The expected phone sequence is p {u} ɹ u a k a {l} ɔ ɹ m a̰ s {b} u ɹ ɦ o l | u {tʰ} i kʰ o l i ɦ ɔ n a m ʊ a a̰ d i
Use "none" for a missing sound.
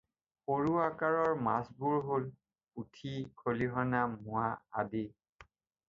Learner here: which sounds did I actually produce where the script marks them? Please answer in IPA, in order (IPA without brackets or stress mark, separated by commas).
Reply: o, ɹ, b, tʰ